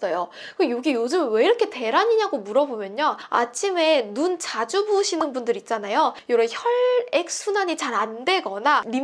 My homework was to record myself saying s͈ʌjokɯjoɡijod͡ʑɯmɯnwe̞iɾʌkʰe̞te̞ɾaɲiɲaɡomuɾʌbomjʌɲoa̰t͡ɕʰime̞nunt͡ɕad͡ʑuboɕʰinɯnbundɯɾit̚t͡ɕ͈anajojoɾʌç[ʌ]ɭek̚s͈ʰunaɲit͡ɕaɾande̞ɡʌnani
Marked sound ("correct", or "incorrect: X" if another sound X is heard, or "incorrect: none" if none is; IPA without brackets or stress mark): correct